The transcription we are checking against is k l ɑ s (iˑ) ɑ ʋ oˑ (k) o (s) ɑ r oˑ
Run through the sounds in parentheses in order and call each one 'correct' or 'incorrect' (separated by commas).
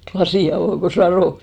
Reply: correct, correct, correct